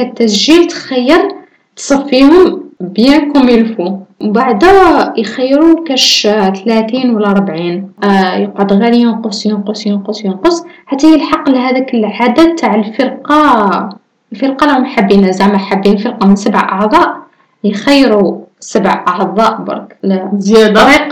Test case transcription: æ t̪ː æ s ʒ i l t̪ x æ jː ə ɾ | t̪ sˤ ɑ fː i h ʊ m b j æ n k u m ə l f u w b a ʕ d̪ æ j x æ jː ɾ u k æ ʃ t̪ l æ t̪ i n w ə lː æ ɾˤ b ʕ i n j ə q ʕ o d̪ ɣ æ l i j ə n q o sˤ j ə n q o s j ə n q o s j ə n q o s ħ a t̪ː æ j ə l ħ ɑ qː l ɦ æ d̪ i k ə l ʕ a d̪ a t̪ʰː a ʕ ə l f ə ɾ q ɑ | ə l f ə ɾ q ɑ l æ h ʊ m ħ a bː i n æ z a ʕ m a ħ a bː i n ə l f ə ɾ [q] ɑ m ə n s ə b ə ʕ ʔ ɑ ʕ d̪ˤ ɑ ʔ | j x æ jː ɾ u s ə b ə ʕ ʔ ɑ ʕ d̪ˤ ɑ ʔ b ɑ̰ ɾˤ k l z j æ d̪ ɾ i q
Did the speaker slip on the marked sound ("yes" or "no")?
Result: no